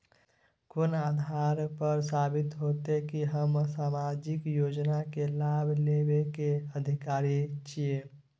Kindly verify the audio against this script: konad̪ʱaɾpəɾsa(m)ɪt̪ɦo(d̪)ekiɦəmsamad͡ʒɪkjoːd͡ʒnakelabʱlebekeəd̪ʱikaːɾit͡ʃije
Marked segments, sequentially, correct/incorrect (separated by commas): incorrect, incorrect